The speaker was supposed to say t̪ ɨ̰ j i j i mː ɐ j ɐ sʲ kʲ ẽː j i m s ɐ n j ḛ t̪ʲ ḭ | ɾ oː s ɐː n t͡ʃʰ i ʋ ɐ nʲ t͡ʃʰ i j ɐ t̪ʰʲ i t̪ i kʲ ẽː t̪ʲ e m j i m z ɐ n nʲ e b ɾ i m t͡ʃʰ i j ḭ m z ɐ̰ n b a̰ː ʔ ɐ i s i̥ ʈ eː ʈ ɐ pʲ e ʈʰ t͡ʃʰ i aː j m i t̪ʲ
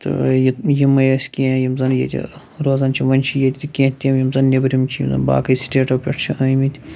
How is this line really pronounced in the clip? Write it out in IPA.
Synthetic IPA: t̪ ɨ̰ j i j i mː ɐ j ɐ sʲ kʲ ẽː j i m z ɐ n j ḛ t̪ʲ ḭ | ɾ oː z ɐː n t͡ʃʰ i ʋ ɐ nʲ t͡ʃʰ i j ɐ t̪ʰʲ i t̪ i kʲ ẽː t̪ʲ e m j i m z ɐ n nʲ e b ɾ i m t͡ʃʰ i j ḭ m z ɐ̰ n b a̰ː k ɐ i s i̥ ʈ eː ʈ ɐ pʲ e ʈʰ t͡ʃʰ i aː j m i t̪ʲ